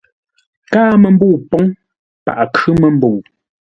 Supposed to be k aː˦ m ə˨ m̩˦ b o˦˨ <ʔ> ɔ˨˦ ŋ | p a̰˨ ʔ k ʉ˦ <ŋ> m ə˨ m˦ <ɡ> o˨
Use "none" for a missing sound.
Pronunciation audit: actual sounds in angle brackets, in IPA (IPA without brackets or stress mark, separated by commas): p, none, b